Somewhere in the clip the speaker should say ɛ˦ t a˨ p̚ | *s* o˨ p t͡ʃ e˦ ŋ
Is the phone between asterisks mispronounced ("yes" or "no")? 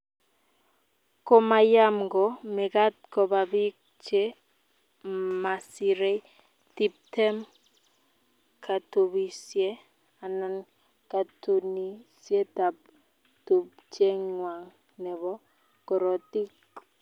yes